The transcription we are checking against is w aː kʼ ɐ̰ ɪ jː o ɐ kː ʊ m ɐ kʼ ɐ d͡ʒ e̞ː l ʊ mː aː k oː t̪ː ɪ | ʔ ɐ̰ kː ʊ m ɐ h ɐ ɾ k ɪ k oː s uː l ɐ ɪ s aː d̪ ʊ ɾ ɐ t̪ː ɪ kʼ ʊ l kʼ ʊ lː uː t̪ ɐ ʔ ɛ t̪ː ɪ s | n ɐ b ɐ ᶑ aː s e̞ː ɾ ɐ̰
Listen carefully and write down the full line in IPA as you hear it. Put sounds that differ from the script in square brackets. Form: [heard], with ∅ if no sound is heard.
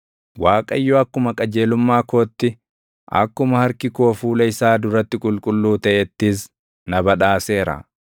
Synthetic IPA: w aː kʼ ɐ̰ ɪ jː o ɐ kː ʊ m ɐ kʼ ɐ d͡ʒ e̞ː l ʊ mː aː k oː t̪ː ɪ | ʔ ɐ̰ kː ʊ m ɐ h ɐ ɾ k ɪ k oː [f] uː l ɐ ɪ s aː d̪ ʊ ɾ ɐ t̪ː ɪ kʼ ʊ l kʼ ʊ lː uː t̪ ɐ ʔ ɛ t̪ː ɪ s | n ɐ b ɐ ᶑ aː s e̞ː ɾ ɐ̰